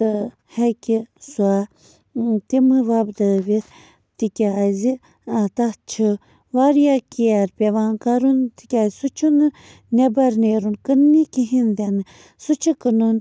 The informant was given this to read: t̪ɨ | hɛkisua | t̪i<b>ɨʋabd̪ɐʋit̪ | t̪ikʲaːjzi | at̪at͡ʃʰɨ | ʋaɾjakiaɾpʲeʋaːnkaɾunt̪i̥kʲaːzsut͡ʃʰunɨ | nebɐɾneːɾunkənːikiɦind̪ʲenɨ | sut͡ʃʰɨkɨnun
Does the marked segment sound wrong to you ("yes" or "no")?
yes